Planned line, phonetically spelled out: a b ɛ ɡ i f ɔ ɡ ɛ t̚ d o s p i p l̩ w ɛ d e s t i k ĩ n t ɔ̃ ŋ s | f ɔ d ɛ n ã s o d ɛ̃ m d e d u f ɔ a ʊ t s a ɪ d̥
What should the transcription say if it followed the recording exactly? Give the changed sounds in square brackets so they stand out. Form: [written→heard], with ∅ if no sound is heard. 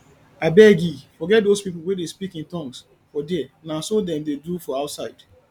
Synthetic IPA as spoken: a b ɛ ɡ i f ɔ ɡ ɛ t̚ d o s p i p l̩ w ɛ d e s [t→p] i k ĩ n t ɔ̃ ŋ s | f ɔ d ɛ n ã s o d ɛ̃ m d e d u f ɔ a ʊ t s a ɪ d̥